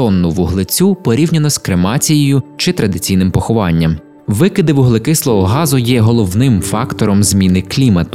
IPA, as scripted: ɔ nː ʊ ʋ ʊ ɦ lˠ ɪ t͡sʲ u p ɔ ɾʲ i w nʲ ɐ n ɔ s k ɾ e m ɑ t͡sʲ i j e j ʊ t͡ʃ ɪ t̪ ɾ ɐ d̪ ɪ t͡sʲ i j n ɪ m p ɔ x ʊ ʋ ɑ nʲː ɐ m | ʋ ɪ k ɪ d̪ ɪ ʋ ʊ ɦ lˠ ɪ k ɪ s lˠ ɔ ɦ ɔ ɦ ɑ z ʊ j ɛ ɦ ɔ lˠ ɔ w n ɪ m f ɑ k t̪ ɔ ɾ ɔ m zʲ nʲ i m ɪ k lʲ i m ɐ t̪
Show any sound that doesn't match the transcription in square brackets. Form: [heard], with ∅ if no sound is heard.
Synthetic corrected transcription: ɔ nː ʊ ʋ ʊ ɦ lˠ ɪ t͡sʲ u p ɔ ɾʲ i w nʲ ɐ n ɔ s k ɾ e m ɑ t͡sʲ i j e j ʊ t͡ʃ ɪ t̪ ɾ ɐ d̪ ɪ t͡sʲ i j n ɪ m p ɔ x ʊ ʋ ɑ nʲː ɐ m | ʋ ɪ k ɪ d̪ ɪ ʋ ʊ ɦ lˠ ɪ k ɪ s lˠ ɔ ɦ ɔ ɦ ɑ z ʊ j ɛ ɦ ɔ lˠ ɔ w n ɪ m f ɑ k t̪ ɔ ɾ ɔ m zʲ [mʲ] i [n] ɪ k lʲ i m ɐ t̪